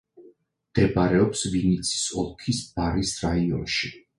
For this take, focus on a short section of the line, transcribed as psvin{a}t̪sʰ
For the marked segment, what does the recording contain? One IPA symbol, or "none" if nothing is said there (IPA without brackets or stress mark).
i